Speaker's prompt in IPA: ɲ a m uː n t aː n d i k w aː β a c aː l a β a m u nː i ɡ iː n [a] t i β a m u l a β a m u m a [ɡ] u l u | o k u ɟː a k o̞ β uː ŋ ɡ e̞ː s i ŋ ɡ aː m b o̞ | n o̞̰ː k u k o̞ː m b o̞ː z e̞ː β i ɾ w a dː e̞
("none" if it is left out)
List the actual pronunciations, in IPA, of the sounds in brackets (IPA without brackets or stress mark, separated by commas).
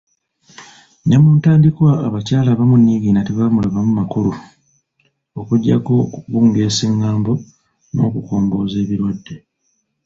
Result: a, k